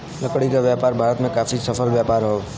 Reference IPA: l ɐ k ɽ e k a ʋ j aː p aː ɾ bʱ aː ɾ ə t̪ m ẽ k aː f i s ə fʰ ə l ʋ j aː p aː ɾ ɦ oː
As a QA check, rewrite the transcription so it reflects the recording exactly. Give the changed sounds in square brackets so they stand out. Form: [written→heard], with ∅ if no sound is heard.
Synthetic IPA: l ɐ k ɽ [e→i] k a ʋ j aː p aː ɾ bʱ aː ɾ ə t̪ m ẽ k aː f i s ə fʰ ə l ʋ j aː p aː ɾ ɦ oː